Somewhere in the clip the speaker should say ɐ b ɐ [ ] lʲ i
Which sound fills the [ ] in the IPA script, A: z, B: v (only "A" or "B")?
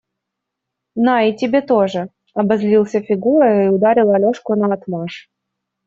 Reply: A